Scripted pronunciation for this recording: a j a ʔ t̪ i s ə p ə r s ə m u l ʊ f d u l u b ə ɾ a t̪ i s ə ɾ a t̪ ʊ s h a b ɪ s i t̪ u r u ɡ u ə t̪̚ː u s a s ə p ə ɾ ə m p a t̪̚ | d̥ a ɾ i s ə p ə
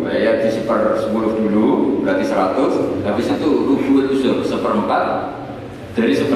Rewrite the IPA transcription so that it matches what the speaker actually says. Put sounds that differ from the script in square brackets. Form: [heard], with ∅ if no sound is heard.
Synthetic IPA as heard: a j a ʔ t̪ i s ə p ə r s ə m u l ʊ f d u l u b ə ɾ a t̪ i s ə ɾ a t̪ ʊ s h a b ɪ s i t̪ u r u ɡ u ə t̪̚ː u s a s ə p ə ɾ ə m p a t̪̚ | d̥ a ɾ i s ə p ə